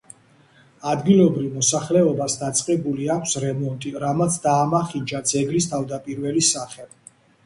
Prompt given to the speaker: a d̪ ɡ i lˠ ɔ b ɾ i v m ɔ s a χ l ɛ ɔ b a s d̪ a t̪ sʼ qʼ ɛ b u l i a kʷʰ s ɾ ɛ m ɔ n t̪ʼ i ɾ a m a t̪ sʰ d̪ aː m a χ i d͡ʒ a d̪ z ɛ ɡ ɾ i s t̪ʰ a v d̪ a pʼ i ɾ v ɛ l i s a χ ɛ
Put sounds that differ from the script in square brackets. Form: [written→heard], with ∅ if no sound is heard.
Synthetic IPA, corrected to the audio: a d̪ ɡ i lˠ ɔ b ɾ i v m ɔ s a χ l ɛ ɔ b a s d̪ a t̪ sʼ qʼ ɛ b u l i a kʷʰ s ɾ ɛ m ɔ n t̪ʼ i ɾ a m a t̪ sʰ d̪ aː m a χ i d͡ʒ a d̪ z ɛ ɡ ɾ i s t̪ʰ a v d̪ a pʼ i ɾ v ɛ l i s a χ ɛ

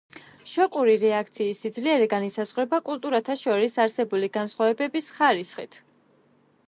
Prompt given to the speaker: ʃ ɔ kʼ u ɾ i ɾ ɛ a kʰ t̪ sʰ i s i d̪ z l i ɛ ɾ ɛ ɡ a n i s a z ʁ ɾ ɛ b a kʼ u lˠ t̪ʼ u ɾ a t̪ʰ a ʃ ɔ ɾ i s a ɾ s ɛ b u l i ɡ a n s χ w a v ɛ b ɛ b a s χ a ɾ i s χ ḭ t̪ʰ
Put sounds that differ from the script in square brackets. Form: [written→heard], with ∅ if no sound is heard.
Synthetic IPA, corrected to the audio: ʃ ɔ kʼ u ɾ i ɾ ɛ a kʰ t̪ sʰ [i→iː] s i d̪ z l i ɛ ɾ ɛ ɡ a n i s a z ʁ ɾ ɛ b a kʼ u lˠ t̪ʼ u ɾ a t̪ʰ a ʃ ɔ ɾ i s a ɾ s ɛ b u l i ɡ a n s χ w a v ɛ b ɛ b [a→i] s χ a ɾ i s χ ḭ t̪ʰ

